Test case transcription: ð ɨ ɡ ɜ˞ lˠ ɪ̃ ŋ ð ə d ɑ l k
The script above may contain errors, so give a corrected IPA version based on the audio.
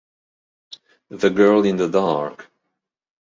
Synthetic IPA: ð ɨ ɡ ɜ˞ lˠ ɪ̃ n ð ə d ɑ ɹ k